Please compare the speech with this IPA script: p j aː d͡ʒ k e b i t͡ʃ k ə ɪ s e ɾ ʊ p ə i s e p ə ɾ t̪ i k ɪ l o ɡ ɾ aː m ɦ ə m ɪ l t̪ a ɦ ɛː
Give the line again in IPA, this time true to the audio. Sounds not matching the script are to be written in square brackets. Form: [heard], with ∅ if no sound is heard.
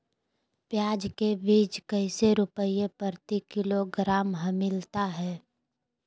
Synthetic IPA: p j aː d͡ʒ k e b [iː] t͡ʃ k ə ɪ s e ɾ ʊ p ə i [∅] e p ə ɾ t̪ i k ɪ l o ɡ ɾ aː m ɦ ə m ɪ l t̪ a ɦ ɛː